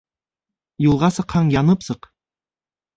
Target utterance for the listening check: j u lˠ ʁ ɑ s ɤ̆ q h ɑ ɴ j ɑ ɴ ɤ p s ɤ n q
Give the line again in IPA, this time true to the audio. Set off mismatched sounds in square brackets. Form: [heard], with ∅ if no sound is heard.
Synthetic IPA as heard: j u lˠ ʁ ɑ s ɤ̆ q h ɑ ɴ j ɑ [n] ɤ p s ɤ [∅] q